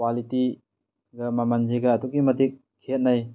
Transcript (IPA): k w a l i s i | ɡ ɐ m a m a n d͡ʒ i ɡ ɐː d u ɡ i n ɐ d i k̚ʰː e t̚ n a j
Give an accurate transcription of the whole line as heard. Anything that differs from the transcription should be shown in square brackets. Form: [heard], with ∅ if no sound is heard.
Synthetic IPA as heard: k w a l i [t] i | ɡ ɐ m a m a n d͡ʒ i ɡ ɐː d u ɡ i [m] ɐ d i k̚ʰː e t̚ n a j